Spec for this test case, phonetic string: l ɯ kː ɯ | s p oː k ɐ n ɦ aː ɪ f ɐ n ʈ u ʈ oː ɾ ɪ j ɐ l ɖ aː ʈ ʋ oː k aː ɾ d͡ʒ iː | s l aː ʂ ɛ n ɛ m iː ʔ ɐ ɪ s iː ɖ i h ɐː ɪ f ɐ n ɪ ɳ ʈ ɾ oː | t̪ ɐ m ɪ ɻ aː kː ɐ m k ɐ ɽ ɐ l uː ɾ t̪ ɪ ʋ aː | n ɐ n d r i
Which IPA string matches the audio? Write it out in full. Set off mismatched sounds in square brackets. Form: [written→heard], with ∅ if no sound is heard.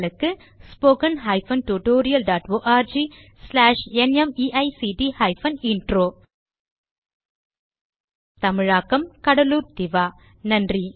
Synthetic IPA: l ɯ kː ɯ | s p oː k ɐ n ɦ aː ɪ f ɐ n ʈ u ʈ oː ɾ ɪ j ɐ l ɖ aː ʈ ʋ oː [k→ʔ] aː ɾ d͡ʒ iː | s l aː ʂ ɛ n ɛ m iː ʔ ɐ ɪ s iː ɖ i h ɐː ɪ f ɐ n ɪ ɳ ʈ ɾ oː | t̪ ɐ m ɪ ɻ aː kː ɐ m k ɐ ɽ ɐ l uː ɾ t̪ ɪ ʋ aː | n ɐ n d r i